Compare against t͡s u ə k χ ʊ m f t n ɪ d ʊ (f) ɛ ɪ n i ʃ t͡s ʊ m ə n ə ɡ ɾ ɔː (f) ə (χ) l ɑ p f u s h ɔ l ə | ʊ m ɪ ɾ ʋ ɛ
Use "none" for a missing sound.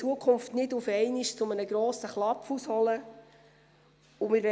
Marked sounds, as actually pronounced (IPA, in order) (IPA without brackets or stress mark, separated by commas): f, s, χ